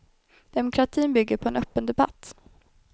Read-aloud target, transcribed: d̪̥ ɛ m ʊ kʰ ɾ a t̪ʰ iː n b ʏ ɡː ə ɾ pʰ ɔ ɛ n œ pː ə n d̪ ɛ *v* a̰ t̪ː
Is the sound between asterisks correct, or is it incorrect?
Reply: incorrect